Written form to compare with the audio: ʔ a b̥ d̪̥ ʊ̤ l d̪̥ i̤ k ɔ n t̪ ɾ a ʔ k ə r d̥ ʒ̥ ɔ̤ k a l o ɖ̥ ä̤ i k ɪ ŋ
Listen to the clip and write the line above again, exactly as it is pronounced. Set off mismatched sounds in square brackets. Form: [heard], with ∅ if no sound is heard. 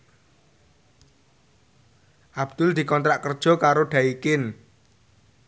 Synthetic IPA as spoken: ʔ a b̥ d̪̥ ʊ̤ l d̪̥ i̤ k ɔ n t̪ ɾ a ʔ k ə r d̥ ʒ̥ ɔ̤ k a [ɾ] o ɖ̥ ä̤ i k ɪ [n]